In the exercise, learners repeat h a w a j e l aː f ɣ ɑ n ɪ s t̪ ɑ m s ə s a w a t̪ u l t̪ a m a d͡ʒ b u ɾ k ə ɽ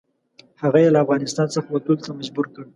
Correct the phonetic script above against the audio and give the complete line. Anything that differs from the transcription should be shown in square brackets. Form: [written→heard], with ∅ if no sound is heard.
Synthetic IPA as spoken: h a [w→ɣ] a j e l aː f ɣ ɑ n ɪ s t̪ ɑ [m→n] s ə [s→x] a w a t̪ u l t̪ a m a d͡ʒ b u ɾ k ə ɽ